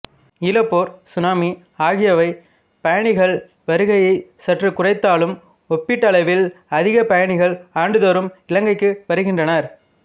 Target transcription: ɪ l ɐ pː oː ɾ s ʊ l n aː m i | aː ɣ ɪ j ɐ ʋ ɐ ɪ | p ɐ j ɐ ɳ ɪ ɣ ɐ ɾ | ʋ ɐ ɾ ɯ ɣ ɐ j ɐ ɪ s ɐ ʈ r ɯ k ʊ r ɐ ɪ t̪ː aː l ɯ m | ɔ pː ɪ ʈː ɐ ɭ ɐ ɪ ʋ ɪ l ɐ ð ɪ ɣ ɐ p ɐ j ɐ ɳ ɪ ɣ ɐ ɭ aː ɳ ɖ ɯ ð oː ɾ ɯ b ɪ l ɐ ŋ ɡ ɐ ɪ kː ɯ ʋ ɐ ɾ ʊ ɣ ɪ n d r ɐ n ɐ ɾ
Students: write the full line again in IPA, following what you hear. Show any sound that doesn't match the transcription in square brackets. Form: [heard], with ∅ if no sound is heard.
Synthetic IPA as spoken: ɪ l ɐ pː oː ɾ s ʊ [∅] n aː m i | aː ɣ ɪ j ɐ ʋ ɐ ɪ | p ɐ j ɐ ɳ ɪ ɣ ɐ [ɭ] | ʋ ɐ ɾ ɯ ɣ ɐ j ɐ ɪ s ɐ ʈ r ɯ k ʊ r ɐ ɪ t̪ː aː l ɯ m | ɔ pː ɪ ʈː ɐ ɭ ɐ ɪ ʋ ɪ l ɐ ð ɪ ɣ ɐ p ɐ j ɐ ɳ ɪ ɣ ɐ ɭ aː ɳ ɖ ɯ ð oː ɾ ɯ [m] ɪ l ɐ ŋ ɡ ɐ ɪ kː ɯ ʋ ɐ ɾ [ɯ] ɣ ɪ n d r ɐ n ɐ ɾ